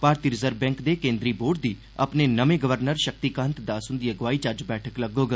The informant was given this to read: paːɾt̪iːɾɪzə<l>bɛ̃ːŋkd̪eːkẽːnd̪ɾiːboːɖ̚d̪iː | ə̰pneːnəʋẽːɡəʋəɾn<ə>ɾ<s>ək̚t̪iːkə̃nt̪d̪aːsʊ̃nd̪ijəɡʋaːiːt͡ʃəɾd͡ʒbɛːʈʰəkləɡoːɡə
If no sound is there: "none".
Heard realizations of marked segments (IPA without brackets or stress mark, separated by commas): ɾ, ə, ʃ